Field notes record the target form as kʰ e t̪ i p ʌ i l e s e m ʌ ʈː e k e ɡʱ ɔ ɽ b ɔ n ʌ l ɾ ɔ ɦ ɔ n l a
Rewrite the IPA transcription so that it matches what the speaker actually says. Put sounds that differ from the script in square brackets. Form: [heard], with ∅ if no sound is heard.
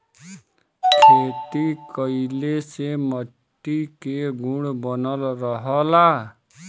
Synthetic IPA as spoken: kʰ e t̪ i [k] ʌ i l e s e m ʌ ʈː [i] k e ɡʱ [u] ɽ b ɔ n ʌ l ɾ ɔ ɦ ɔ [∅] l a